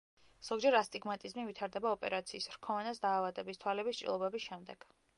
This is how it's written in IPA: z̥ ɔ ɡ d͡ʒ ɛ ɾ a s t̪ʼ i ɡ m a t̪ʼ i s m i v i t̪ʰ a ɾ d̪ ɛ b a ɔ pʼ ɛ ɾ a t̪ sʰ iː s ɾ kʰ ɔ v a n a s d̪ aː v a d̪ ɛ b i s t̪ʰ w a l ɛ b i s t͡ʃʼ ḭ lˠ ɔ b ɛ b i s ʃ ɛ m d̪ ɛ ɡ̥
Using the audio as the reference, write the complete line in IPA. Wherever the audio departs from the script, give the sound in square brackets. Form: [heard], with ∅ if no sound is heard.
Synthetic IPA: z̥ ɔ ɡ d͡ʒ ɛ ɾ a s t̪ʼ i ɡ m a t̪ʼ i [z] m i v i t̪ʰ a ɾ d̪ ɛ b a ɔ pʼ ɛ ɾ a t̪ sʰ iː s ɾ kʰ ɔ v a n a s d̪ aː v a d̪ ɛ b i s t̪ʰ w a l ɛ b i s t͡ʃʼ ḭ lˠ ɔ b ɛ b i s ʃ ɛ m d̪ ɛ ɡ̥

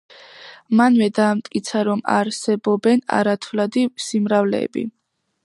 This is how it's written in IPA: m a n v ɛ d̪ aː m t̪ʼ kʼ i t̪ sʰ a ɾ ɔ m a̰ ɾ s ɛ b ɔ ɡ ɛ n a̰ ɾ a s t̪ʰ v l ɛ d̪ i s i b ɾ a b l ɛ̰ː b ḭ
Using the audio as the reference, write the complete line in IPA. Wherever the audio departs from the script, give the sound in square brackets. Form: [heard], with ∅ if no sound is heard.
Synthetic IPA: m a n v ɛ d̪ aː m t̪ʼ kʼ i t̪ sʰ a ɾ ɔ m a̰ ɾ s ɛ b ɔ [b] ɛ n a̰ ɾ a [∅] t̪ʰ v l [a] d̪ i s i [m] ɾ a [v] l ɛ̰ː b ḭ

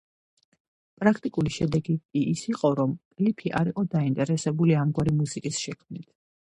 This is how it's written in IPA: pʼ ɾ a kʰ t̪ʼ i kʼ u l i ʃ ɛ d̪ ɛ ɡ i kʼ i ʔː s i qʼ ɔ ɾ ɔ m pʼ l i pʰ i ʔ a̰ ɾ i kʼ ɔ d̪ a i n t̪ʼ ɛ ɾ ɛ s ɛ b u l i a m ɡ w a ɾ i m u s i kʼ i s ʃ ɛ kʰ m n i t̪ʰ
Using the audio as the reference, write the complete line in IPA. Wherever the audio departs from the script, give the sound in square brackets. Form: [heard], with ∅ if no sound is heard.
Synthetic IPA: pʼ ɾ a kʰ t̪ʼ i kʼ u l i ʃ ɛ d̪ ɛ ɡ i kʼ i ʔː s i qʼ ɔ ɾ ɔ m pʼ l i pʰ i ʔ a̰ ɾ i [qʼ] ɔ d̪ a i n t̪ʼ ɛ ɾ ɛ s ɛ b u l i a m ɡ w a ɾ i m u s i kʼ i s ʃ ɛ kʰ m n i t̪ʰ

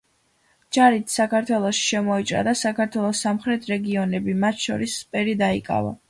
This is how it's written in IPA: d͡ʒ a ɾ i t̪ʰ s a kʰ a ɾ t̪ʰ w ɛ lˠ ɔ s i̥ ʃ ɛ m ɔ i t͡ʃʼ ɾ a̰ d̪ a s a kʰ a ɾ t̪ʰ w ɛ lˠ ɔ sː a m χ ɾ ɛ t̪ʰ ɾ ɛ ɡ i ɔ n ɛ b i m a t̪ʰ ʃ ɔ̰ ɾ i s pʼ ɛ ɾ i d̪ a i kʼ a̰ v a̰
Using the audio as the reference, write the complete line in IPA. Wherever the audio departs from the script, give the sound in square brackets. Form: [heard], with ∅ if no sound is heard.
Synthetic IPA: d͡ʒ a ɾ i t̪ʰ s a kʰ a ɾ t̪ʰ w ɛ lˠ ɔ [ʃ] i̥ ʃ ɛ m ɔ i t͡ʃʼ ɾ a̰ d̪ a s a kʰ a ɾ t̪ʰ w ɛ lˠ ɔ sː a m χ ɾ ɛ t̪ʰ ɾ ɛ ɡ i ɔ n ɛ b i m a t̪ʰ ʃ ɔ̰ ɾ i s pʼ ɛ ɾ i d̪ a i kʼ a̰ v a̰

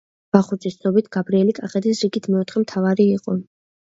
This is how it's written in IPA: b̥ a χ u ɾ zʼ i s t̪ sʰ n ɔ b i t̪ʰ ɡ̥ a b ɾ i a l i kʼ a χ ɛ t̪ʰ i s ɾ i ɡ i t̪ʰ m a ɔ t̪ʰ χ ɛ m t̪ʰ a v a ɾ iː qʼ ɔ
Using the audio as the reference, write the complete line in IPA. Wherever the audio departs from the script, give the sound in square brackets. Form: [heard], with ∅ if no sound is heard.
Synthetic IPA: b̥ a χ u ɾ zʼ i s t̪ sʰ n ɔ b i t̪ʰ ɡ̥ a b ɾ i [ɛ] l i kʼ a χ ɛ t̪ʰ i s ɾ i ɡ i t̪ʰ m [ɛ] ɔ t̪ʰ χ ɛ m t̪ʰ a v a ɾ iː qʼ ɔ

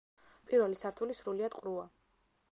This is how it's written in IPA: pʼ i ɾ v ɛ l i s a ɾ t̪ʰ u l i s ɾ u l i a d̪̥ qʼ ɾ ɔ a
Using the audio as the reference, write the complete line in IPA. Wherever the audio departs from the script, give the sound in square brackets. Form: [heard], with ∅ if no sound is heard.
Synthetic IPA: pʼ i ɾ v ɛ l i s a ɾ t̪ʰ u l i s ɾ u l i a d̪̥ qʼ ɾ [u] a

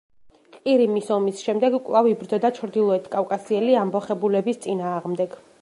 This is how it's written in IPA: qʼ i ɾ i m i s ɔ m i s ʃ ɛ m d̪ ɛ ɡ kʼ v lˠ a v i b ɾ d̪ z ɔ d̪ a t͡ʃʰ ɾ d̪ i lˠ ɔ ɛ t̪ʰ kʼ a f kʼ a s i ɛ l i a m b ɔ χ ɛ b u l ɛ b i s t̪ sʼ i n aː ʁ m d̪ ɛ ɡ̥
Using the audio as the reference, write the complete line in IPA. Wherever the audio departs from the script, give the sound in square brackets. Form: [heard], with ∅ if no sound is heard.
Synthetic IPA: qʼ i ɾ i m i s ɔ m i s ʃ ɛ m d̪ ɛ ɡ kʼ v lˠ a v i b ɾ d̪ z ɔ d̪ a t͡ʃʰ ɾ d̪ i lˠ ɔ ɛ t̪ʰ kʼ a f kʼ a s i ɛ l i a m b ɔ χ ɛ b u l ɛ b i s t̪ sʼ i n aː ʁ m d̪ ɛ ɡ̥

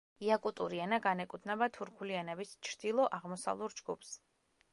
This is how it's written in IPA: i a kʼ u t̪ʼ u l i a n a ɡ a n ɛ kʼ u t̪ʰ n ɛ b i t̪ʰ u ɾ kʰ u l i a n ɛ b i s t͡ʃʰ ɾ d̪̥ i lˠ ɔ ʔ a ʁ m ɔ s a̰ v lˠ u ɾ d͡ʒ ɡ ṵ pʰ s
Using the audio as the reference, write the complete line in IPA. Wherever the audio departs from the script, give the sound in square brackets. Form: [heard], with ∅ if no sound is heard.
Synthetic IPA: i a kʼ u t̪ʼ u [ɾ] i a n a ɡ a n ɛ kʼ u t̪ʰ n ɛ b [a] t̪ʰ u ɾ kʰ u l i a n ɛ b i s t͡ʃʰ ɾ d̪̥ i lˠ ɔ ʔ a ʁ m ɔ s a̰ v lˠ u ɾ d͡ʒ ɡ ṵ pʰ s

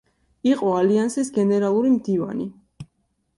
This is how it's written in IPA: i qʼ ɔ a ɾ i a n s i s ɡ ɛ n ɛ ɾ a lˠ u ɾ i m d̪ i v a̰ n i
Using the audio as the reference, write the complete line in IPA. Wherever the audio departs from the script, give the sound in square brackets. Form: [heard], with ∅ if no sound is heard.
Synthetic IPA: i qʼ ɔ a [l] i a n s i s ɡ ɛ n ɛ ɾ a lˠ u ɾ i m d̪ i v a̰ n i

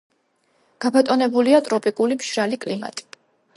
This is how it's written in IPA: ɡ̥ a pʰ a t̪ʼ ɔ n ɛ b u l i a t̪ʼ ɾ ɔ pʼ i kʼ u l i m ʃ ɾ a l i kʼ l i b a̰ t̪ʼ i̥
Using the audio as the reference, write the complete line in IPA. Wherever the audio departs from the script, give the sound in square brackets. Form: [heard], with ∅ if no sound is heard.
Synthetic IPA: ɡ̥ a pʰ a t̪ʼ ɔ n ɛ b u l i a t̪ʼ ɾ ɔ pʼ i kʼ u l i m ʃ ɾ a l i kʼ l i [m] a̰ t̪ʼ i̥

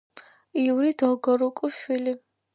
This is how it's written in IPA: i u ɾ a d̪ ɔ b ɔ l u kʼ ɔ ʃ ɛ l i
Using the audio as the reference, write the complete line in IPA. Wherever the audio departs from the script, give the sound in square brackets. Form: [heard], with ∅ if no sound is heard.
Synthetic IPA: i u ɾ [i] d̪ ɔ [ɡ] ɔ [ɾ] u kʼ [u] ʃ [i] l i

